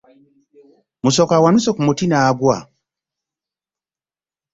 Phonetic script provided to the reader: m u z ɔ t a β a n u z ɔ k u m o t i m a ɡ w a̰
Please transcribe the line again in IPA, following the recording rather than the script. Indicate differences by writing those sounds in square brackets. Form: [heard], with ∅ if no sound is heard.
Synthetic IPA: m u [s] ɔ [k] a [w] a n u [s] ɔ k u m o t i [n] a ɡ w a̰